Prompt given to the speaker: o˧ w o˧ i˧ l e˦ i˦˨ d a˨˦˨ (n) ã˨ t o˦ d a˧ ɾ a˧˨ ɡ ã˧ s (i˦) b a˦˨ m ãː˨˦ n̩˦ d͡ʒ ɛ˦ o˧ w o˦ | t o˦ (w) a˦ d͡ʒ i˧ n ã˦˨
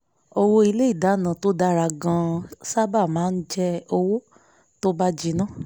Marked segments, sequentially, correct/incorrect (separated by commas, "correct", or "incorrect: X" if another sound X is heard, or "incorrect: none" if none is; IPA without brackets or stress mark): correct, incorrect: a˦, incorrect: b